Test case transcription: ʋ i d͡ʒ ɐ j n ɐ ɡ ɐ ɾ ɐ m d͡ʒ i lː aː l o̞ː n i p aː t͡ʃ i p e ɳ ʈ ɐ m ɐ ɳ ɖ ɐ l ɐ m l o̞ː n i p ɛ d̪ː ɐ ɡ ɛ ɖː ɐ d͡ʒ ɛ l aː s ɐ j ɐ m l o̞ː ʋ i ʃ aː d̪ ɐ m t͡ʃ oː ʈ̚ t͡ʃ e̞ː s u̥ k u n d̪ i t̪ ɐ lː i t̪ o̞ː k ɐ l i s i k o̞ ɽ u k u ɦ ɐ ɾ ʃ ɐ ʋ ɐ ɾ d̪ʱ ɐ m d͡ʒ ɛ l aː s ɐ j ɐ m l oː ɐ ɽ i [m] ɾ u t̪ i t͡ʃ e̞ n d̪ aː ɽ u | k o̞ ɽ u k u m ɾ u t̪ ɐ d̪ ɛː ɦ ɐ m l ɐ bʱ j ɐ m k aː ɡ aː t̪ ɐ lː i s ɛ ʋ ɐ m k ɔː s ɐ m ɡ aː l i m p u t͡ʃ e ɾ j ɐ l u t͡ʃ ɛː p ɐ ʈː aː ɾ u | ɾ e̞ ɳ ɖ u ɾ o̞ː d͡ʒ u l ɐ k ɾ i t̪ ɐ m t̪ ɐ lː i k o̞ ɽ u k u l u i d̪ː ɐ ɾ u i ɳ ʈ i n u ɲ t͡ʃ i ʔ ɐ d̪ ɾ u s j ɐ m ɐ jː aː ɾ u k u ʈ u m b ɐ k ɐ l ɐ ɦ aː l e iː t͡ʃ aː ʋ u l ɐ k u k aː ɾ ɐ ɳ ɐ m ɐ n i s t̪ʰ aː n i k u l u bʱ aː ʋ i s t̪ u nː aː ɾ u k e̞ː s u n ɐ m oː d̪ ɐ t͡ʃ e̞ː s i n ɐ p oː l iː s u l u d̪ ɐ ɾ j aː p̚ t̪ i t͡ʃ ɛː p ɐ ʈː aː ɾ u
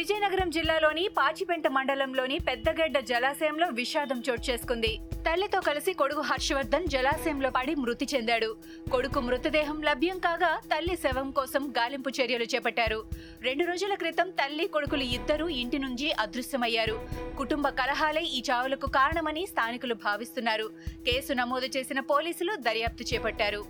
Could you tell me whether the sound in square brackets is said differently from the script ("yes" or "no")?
no